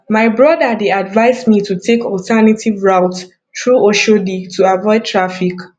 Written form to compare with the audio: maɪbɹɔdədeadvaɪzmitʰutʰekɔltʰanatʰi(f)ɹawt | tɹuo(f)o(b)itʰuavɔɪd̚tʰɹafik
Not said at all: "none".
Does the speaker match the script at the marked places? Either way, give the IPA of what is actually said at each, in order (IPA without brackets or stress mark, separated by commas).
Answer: v, ʃ, d